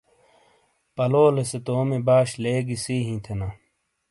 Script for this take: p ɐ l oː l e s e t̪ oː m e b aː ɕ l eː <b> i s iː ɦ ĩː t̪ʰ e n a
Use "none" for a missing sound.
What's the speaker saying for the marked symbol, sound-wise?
ɡ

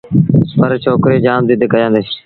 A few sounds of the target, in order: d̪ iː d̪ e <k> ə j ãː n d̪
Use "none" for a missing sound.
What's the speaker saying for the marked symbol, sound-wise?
k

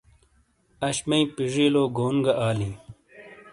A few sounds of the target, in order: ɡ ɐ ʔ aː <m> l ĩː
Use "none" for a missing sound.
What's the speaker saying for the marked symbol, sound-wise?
none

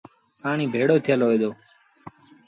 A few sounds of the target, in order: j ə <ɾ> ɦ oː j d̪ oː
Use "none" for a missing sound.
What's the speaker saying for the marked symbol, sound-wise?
l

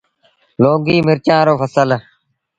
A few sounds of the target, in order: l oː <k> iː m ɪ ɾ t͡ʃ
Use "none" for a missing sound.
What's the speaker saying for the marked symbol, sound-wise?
ɡ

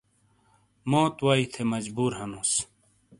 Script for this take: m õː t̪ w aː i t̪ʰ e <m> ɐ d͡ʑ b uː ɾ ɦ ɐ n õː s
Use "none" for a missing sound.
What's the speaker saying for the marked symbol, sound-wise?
m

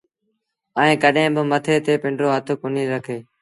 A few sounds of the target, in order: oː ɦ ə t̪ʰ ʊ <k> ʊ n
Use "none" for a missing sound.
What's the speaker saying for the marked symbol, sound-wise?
k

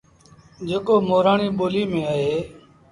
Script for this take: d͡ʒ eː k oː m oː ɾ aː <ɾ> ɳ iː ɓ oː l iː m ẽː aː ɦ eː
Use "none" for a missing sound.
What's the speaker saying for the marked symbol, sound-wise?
none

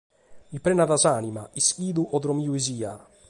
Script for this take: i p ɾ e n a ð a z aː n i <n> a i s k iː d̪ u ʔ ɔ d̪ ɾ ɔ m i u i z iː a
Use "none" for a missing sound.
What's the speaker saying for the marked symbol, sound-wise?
m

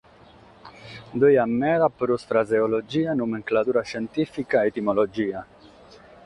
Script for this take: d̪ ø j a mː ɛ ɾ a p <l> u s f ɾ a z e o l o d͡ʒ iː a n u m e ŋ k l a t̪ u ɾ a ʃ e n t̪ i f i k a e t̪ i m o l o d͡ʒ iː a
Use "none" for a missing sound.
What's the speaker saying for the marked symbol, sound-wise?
ɾ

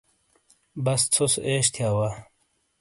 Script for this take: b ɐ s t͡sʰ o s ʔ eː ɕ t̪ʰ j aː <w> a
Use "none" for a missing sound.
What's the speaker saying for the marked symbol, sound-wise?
w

